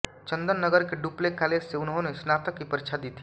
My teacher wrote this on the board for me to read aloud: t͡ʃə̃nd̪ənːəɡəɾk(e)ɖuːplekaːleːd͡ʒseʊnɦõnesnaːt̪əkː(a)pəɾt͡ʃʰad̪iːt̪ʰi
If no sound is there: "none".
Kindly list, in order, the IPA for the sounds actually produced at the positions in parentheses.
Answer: e, i

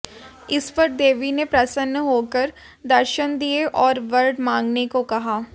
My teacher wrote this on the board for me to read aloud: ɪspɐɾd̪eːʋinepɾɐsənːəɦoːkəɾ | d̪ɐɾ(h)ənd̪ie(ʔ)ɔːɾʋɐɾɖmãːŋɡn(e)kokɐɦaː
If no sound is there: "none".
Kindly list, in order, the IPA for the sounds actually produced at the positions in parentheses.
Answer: ʃ, ʔ, e

